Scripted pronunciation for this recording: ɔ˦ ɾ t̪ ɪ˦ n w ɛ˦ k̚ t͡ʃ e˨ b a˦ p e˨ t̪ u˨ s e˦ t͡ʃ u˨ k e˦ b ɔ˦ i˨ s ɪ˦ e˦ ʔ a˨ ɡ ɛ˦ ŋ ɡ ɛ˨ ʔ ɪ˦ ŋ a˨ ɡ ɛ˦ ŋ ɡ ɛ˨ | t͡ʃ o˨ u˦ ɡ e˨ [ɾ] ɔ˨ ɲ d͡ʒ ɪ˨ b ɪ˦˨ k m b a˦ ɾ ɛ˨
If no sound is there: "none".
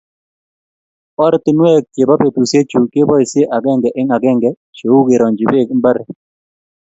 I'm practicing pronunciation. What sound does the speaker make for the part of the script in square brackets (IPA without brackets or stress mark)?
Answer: ɾ